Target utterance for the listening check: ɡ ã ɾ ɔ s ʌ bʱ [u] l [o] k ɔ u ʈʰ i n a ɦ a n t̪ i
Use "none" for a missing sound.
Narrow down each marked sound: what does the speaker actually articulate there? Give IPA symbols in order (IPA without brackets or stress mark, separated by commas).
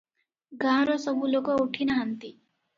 u, o